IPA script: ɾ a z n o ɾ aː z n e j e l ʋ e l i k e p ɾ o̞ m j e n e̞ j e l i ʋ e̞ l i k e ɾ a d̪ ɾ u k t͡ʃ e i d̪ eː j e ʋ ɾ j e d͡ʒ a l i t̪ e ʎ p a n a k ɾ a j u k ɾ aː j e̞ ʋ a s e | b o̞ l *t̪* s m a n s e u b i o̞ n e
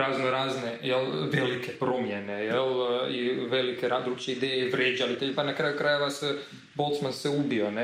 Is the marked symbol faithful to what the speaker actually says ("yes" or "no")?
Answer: yes